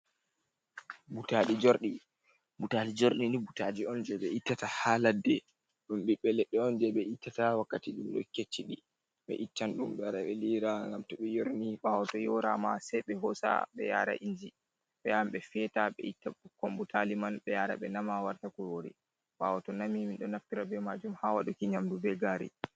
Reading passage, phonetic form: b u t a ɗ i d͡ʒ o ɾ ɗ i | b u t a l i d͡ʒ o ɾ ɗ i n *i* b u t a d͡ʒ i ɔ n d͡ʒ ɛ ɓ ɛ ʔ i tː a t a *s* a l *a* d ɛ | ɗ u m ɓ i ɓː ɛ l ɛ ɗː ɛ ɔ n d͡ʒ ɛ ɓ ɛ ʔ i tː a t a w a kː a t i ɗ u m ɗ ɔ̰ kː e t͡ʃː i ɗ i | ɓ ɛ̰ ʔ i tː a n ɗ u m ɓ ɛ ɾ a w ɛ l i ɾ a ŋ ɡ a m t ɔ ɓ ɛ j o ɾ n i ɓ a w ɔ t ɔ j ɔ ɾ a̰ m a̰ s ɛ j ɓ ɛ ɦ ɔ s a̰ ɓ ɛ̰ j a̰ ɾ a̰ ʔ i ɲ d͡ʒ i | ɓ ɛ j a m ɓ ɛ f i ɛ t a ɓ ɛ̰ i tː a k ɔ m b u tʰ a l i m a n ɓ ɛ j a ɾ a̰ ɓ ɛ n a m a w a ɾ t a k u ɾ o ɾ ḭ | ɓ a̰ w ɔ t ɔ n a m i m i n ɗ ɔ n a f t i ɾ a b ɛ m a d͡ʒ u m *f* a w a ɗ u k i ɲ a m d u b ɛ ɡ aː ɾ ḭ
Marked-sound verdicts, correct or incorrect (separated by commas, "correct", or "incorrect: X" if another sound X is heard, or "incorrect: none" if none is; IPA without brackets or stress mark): correct, incorrect: h, correct, incorrect: h